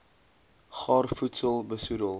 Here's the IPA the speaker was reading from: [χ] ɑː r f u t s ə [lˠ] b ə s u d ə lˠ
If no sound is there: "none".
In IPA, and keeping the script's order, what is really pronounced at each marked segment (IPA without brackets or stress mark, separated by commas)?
χ, lˠ